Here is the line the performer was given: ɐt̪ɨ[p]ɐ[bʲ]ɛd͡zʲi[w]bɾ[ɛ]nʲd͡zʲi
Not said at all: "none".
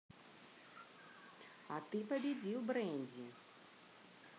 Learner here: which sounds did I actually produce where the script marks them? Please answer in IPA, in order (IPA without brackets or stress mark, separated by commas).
p, bʲ, w, ɛ